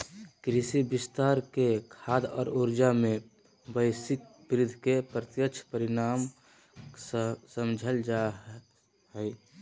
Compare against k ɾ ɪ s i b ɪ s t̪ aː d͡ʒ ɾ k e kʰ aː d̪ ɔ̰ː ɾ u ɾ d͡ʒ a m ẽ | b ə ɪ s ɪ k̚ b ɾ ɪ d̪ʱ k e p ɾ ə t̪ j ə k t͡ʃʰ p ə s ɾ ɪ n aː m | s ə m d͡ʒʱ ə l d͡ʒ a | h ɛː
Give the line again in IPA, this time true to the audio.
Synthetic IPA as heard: k ɾ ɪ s i b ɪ s t̪ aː ɾ k e kʰ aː d̪ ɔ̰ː ɾ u ɾ d͡ʒ a m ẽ | b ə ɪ s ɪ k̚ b ɾ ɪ d̪ʱ k e p ɾ ə t̪ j ə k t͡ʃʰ p ə ɾ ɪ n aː m | s ə m d͡ʒʱ ə l d͡ʒ a | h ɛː